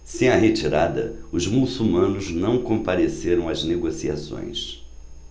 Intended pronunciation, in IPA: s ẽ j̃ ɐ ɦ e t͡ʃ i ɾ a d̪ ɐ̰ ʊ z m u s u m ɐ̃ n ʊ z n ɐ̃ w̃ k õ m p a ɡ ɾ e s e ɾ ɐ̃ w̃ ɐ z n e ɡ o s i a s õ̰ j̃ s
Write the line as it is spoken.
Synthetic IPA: s ẽ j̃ ɐ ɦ e t͡ʃ i ɾ a d̪ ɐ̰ ʊ z m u s u m ɐ̃ n ʊ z n ɐ̃ w̃ k õ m p a ɾ e s e ɾ ɐ̃ w̃ ɐ z n e ɡ o s i a s õ̰ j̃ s